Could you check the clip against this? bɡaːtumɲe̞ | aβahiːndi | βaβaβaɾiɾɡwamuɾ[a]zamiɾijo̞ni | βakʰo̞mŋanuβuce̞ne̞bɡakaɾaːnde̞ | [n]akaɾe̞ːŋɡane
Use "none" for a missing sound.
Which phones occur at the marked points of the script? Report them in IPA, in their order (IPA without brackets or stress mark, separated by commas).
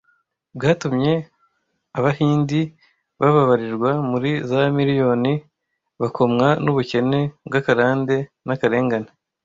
i, n